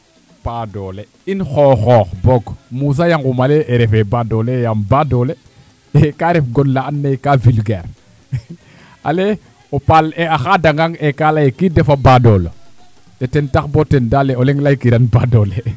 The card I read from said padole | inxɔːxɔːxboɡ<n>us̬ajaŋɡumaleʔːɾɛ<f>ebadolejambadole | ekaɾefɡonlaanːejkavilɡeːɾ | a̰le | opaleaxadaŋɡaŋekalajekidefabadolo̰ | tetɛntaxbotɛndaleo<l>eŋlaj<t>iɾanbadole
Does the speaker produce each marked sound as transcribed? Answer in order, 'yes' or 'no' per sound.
no, yes, yes, no

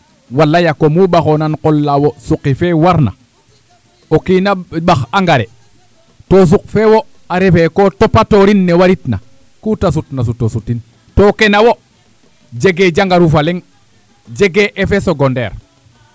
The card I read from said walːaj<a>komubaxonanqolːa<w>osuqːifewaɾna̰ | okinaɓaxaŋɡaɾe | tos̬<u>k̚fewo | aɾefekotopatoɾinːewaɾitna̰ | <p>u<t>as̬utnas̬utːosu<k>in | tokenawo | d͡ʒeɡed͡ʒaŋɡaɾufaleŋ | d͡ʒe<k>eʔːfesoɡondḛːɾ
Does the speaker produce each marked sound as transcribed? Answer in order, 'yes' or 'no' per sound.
yes, yes, yes, no, yes, no, no

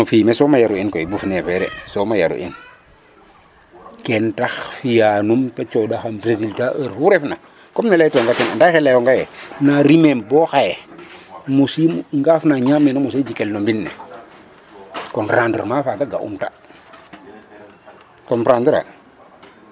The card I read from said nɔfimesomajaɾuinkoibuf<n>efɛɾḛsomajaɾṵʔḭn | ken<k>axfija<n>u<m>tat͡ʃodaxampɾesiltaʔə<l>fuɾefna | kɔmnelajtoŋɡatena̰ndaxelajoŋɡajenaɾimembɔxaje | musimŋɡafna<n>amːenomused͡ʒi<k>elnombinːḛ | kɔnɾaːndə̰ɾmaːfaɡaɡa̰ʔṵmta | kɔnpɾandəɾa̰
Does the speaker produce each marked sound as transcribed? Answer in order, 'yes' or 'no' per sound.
yes, no, yes, yes, no, no, yes

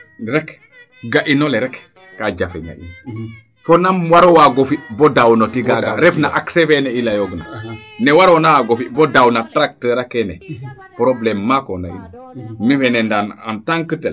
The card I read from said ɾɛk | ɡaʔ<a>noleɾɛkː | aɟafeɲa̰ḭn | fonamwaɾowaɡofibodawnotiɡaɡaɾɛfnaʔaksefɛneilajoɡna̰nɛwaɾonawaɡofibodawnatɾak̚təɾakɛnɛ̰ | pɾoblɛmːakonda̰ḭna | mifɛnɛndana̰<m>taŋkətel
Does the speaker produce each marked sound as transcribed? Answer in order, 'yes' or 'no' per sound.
no, no

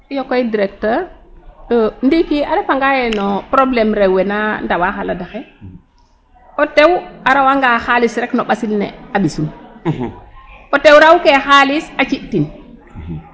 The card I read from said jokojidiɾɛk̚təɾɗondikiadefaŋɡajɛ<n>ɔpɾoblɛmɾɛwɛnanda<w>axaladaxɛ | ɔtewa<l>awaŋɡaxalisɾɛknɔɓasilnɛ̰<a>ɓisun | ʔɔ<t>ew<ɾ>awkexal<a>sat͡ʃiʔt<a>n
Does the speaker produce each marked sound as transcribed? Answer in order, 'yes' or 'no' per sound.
yes, yes, no, yes, yes, yes, no, no

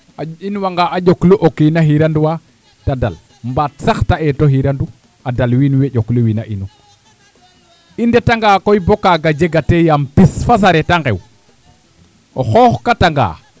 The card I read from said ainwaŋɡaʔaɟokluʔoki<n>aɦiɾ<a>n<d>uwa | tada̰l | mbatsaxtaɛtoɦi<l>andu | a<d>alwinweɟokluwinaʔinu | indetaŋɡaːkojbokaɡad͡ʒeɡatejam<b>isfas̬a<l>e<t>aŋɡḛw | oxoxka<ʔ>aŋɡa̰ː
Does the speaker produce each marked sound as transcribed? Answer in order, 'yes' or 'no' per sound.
yes, yes, yes, no, yes, no, no, yes, no

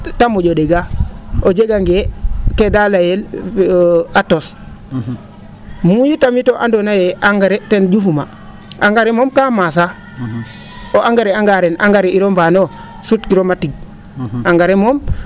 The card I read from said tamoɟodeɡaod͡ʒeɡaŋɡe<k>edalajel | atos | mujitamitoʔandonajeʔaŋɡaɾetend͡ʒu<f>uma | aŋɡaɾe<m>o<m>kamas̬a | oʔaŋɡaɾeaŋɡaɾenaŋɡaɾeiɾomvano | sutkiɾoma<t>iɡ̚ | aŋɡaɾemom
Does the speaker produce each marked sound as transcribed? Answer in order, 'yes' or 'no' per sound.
yes, yes, yes, yes, yes

